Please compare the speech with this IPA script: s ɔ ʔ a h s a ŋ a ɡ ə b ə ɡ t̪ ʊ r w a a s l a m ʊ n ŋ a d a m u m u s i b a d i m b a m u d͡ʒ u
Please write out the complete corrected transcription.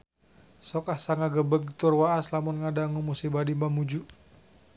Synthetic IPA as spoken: s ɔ k a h s a ŋ a ɡ ə b ə ɡ t̪ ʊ r w a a s l a m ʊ n ŋ a d a ŋ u m u s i b a d i m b a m u d͡ʒ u

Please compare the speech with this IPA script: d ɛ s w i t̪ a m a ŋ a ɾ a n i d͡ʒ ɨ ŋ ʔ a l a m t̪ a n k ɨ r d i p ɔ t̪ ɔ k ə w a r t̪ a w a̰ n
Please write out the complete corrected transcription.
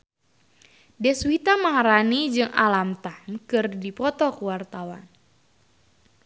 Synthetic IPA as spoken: d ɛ s w i t̪ a m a ŋ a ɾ a n i d͡ʒ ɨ ŋ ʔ a l a m t̪ a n k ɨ r d i p ɔ t̪ ɔ k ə w a r t̪ a w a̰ n

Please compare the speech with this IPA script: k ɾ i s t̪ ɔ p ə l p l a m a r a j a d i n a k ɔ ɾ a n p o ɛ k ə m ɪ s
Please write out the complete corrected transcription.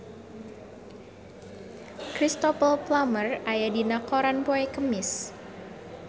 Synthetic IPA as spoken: k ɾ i s t̪ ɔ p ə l p l a m ə r a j a d i n a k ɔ ɾ a n p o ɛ k ə m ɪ s

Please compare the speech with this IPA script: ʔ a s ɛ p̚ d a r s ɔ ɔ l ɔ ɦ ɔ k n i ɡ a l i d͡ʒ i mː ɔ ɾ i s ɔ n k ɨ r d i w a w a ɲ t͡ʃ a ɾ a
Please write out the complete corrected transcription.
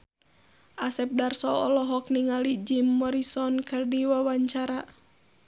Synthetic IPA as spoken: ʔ a s ɛ p̚ d a r s ɔ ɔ l ɔ ɦ ɔ k n i ŋ a l i d͡ʒ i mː ɔ ɾ i s ɔ n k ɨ r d i w a w a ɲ t͡ʃ a ɾ a

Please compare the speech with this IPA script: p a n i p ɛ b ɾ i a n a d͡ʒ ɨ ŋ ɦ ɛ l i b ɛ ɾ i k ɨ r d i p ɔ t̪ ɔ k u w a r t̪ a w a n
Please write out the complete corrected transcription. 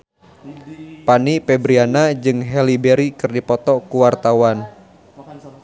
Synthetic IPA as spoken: p a n i p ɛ b ɾ i a n a d͡ʒ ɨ ŋ ɦ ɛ l i b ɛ ɾ i k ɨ r d i p ɔ t̪ ɔ k u w a r t̪ a w a n

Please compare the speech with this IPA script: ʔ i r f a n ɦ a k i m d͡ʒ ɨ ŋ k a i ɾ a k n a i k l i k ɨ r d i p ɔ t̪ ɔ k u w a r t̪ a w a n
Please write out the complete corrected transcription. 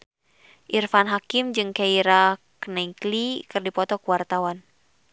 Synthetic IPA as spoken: ʔ i r f a n ɦ a k i m d͡ʒ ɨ ŋ k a i ɾ a k n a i k l i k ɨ r d i p ɔ t̪ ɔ k u w a r t̪ a w a n

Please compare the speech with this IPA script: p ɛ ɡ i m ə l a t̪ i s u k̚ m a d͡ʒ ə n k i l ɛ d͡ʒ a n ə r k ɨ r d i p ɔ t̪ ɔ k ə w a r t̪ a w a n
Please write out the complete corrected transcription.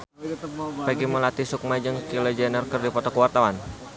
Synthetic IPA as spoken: p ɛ ɡ i m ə l a t̪ i s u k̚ m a d͡ʒ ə ŋ k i l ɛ d͡ʒ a n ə r k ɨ r d i p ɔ t̪ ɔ k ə w a r t̪ a w a n

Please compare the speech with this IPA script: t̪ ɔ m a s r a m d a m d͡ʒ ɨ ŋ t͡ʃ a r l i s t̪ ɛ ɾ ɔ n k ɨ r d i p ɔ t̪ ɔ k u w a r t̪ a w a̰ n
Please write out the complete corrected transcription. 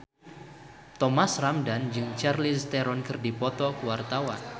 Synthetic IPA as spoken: t̪ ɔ m a s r a m d a n d͡ʒ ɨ ŋ t͡ʃ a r l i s t̪ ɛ ɾ ɔ n k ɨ r d i p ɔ t̪ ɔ k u w a r t̪ a w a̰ n

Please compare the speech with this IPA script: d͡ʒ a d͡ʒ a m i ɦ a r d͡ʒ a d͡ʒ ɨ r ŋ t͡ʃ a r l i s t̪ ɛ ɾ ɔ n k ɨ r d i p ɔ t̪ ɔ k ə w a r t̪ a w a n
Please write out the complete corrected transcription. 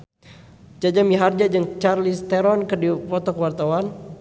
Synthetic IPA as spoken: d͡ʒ a d͡ʒ a m i ɦ a r d͡ʒ a d͡ʒ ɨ ŋ t͡ʃ a r l i s t̪ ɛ ɾ ɔ n k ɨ r d i p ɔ t̪ ɔ k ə w a r t̪ a w a n

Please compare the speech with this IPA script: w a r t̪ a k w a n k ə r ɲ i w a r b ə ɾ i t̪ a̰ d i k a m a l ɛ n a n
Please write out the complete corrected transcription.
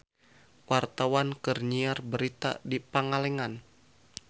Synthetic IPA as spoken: w a r t̪ a w a n k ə r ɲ i a r b ə ɾ i t̪ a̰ d i p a ŋ a l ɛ ŋ a n

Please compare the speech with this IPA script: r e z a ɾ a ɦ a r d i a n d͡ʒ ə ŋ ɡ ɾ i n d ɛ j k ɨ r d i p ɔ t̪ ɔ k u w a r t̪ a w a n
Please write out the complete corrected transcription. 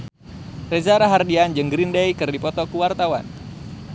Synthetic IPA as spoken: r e z a ɾ a ɦ a r d i a n d͡ʒ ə ŋ ɡ ɾ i n d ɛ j k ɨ r d i p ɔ t̪ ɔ k u w a r t̪ a w a n

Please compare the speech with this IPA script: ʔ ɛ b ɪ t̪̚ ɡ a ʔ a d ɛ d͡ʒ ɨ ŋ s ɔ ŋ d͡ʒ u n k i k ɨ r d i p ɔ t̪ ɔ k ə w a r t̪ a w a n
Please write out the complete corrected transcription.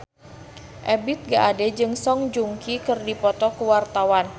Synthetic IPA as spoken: ʔ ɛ b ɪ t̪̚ ɡ a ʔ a d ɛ d͡ʒ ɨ ŋ s ɔ ŋ d͡ʒ u ŋ k i k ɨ r d i p ɔ t̪ ɔ k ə w a r t̪ a w a n

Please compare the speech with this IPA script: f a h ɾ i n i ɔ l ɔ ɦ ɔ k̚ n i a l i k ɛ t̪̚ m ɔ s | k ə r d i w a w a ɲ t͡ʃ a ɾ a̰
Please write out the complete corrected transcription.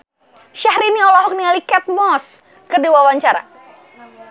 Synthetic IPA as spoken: ʃ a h ɾ i n i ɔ l ɔ ɦ ɔ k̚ n i a l i k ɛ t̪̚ m ɔ s | k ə r d i w a w a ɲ t͡ʃ a ɾ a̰

